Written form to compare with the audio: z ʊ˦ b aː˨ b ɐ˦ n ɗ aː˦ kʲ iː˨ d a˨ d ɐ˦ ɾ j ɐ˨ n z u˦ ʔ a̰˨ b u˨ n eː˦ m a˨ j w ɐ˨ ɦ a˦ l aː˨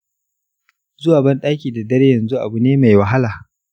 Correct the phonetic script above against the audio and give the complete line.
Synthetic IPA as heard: z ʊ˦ w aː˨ b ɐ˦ n ɗ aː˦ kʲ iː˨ d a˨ d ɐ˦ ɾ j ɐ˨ n z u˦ ʔ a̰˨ b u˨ n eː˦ m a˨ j w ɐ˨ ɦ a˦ l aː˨